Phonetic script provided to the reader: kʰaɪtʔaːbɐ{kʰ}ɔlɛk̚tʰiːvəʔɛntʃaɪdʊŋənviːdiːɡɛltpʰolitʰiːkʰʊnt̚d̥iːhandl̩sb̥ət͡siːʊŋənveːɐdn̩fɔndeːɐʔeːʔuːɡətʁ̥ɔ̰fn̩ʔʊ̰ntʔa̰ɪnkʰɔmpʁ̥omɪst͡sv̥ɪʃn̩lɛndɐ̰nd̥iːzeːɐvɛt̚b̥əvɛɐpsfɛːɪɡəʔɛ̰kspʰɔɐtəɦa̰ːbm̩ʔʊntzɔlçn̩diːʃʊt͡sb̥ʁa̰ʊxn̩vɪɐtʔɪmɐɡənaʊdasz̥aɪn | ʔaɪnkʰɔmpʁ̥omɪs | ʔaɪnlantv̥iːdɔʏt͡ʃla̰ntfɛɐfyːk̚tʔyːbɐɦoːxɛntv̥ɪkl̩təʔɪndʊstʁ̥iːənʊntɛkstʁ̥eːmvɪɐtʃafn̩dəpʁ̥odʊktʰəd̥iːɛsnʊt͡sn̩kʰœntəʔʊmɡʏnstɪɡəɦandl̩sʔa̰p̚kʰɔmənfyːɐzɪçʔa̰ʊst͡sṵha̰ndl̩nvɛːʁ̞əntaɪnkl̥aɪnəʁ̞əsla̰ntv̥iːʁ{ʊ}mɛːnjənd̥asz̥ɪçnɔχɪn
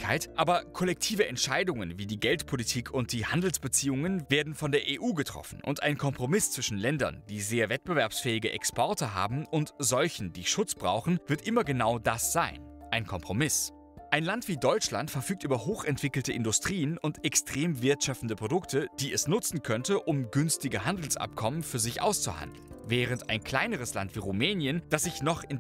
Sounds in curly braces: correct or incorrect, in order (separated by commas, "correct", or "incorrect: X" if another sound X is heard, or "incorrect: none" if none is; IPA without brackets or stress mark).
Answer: correct, incorrect: u